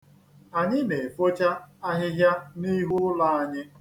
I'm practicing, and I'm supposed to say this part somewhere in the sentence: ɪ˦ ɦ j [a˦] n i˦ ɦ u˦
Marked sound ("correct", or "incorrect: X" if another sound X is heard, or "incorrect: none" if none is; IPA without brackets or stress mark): correct